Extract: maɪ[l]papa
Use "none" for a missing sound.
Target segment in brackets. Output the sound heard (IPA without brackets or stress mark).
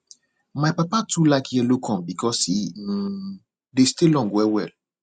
none